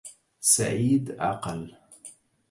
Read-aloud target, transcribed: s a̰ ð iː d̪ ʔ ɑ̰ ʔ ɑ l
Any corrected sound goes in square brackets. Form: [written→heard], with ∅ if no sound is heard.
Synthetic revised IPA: s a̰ [ð→ʕ] iː d̪ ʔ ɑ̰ [ʔ→q] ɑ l